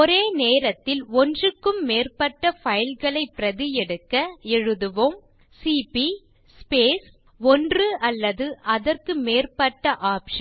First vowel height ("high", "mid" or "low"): mid